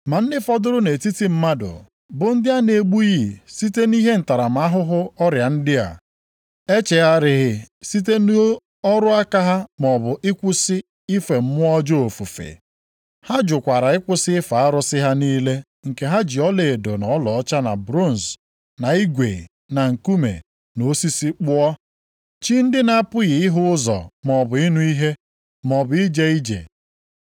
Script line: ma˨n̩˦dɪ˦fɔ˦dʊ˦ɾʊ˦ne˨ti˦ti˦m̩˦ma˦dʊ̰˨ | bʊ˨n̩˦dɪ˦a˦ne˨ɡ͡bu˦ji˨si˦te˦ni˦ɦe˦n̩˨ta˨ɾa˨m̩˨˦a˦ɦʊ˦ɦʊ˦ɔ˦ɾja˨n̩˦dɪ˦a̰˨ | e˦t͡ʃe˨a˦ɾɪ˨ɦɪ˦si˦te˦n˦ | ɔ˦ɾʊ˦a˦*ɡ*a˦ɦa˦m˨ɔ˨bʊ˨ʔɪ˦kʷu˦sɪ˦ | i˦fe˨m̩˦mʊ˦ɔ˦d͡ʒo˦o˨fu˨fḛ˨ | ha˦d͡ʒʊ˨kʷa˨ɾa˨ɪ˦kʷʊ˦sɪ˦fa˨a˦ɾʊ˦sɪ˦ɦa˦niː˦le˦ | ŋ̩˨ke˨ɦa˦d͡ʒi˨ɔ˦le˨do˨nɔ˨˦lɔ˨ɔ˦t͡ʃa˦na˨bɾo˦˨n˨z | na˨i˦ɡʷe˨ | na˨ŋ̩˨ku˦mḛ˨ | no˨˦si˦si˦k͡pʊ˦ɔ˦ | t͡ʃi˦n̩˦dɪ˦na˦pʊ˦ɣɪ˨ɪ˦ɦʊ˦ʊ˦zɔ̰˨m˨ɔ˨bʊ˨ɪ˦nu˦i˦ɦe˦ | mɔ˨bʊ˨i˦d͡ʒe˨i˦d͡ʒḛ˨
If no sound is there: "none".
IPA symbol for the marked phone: k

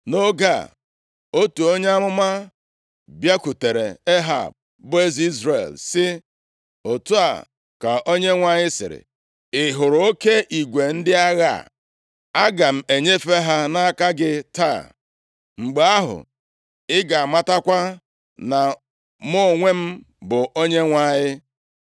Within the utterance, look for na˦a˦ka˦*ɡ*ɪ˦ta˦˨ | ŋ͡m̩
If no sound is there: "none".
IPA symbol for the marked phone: ɡ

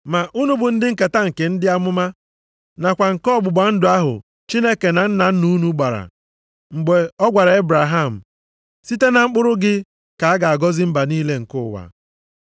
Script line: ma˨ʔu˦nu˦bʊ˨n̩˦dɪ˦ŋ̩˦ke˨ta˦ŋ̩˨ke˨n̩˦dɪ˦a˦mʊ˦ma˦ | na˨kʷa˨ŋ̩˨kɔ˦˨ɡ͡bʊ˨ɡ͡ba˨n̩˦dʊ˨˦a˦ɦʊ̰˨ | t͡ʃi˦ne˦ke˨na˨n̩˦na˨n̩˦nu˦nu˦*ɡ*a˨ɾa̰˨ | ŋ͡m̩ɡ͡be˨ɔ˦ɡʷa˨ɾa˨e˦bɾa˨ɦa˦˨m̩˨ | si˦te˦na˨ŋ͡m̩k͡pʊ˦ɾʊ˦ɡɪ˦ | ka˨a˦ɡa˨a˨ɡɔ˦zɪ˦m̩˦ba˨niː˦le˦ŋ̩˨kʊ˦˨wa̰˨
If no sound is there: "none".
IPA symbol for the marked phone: ɡ͡b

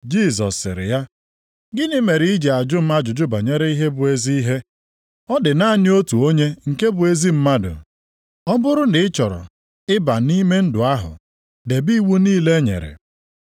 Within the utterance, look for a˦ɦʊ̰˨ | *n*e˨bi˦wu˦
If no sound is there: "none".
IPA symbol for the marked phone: d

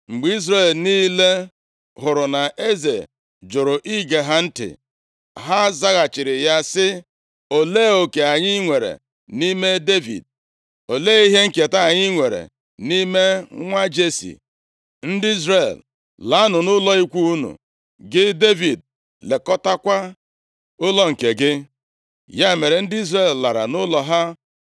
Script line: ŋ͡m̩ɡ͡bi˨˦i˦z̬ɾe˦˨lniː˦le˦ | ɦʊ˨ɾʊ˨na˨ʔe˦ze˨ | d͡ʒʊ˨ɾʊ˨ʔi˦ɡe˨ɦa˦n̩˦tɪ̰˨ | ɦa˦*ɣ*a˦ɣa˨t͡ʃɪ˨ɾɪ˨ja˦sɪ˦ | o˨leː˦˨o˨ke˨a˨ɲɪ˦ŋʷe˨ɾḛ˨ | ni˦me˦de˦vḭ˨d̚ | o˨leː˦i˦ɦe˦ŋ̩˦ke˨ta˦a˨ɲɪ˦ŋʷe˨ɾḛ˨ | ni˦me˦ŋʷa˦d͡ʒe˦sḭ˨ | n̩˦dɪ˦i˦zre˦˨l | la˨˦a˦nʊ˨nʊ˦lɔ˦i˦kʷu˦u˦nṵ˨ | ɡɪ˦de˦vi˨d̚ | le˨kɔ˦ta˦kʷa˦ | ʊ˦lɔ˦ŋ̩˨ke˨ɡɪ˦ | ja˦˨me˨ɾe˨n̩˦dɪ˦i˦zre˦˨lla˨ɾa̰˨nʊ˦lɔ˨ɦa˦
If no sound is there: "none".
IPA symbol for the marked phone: z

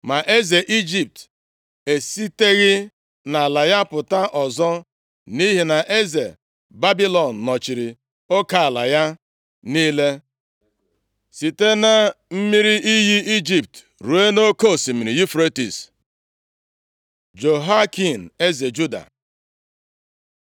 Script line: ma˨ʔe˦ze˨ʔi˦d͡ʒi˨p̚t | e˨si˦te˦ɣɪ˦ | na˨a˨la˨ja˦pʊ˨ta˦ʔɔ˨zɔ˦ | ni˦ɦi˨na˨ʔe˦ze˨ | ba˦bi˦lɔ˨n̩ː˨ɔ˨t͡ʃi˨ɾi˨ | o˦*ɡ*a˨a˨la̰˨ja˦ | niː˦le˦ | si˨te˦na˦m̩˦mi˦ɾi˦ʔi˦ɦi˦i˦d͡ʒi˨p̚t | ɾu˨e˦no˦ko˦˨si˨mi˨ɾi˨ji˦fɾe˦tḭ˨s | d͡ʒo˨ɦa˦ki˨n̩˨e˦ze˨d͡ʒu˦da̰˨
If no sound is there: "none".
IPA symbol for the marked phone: k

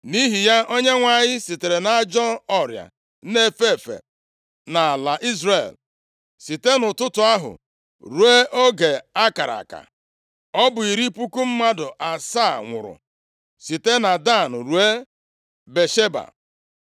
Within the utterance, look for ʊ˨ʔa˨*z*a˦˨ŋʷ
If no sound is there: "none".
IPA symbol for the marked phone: s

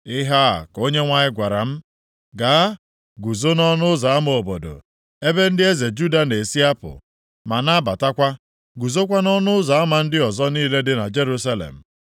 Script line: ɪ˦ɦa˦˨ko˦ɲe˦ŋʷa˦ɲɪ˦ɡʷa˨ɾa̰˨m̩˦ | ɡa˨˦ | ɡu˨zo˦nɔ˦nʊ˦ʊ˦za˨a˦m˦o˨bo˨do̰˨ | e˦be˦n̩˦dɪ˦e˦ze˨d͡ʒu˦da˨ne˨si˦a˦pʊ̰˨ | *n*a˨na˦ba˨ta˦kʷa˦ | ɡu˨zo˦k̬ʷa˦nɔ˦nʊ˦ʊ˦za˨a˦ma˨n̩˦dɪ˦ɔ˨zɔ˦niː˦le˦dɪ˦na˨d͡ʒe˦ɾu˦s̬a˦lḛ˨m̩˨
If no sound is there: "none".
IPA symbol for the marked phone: m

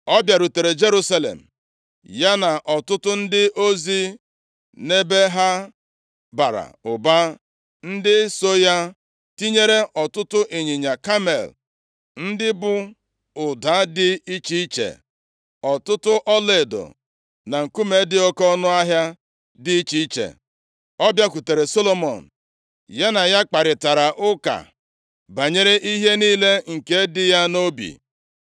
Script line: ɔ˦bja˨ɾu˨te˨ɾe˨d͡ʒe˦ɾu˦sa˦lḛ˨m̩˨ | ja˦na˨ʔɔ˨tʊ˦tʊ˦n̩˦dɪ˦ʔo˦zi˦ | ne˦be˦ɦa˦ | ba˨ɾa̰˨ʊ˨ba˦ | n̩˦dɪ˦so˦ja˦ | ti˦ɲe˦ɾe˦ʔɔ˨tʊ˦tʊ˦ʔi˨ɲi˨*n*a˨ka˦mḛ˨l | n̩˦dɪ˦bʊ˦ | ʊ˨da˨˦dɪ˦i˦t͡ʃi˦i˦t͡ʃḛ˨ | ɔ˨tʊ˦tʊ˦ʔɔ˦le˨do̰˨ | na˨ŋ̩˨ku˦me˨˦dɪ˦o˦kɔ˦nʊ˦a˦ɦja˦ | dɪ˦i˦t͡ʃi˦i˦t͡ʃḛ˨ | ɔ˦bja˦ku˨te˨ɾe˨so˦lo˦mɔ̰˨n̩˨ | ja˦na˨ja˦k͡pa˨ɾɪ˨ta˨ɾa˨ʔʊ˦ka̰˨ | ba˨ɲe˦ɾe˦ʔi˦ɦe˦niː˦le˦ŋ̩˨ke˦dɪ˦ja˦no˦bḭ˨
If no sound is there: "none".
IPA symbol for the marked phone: ɲ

